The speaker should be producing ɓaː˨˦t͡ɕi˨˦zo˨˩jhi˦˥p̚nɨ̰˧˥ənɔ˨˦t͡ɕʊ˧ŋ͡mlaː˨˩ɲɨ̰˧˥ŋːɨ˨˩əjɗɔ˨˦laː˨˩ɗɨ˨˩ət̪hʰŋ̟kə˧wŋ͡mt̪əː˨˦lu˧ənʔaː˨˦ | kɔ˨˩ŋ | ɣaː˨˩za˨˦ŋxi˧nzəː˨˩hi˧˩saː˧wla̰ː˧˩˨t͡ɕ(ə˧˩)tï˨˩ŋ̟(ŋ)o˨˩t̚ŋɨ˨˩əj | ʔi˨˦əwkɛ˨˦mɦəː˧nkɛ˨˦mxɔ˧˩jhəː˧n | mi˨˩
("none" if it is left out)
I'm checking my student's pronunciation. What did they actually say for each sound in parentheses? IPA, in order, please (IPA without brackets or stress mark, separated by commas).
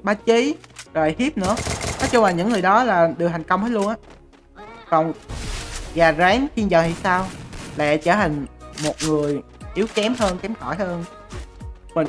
əː˧˩, m